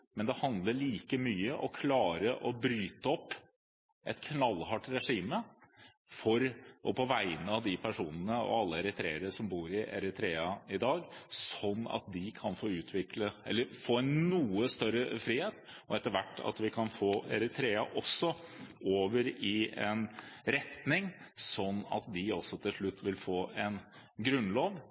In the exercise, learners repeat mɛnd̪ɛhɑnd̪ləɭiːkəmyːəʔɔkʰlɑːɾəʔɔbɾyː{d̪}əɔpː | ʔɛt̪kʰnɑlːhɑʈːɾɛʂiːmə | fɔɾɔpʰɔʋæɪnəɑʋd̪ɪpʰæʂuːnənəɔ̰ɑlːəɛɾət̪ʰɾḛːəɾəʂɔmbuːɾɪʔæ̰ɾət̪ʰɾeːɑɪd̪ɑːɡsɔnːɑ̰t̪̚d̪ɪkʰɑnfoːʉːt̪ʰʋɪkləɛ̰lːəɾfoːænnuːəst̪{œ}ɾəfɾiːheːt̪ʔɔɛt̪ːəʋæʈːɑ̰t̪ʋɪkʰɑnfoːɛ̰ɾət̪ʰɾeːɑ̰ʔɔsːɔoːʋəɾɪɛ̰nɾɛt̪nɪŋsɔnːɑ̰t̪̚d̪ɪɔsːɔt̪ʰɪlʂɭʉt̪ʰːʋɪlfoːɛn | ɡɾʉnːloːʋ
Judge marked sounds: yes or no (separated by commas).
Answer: no, yes